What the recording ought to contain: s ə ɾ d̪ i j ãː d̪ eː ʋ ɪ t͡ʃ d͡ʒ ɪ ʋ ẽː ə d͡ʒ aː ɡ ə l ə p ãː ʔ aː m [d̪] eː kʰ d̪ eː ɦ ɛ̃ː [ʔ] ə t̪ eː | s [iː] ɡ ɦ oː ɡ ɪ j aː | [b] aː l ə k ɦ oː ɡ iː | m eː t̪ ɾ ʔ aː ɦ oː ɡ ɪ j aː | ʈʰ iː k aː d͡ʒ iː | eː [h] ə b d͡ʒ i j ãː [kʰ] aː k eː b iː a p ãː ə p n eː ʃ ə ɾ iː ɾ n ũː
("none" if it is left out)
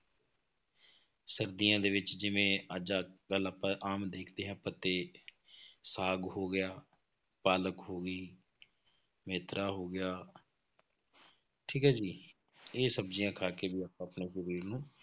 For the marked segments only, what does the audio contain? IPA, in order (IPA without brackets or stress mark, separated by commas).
d̪, p, aː, p, s, kʰ